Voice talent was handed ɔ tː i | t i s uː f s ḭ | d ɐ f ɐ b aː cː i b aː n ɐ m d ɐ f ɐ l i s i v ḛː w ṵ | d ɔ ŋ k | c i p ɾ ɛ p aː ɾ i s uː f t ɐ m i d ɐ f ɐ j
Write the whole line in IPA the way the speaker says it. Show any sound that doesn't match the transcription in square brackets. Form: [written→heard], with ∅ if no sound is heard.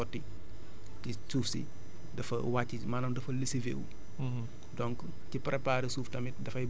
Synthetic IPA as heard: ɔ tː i | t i s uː f s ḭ | d ɐ f ɐ [b→w] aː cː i [b→m] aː n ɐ m d ɐ f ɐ l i s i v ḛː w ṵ | d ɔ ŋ k | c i p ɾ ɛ p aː ɾ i s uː f t ɐ m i d ɐ f ɐ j